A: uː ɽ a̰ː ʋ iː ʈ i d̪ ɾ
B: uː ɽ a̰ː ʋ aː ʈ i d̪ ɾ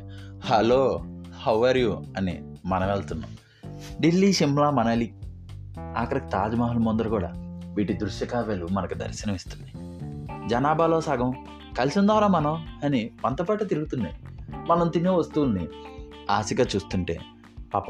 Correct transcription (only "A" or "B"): A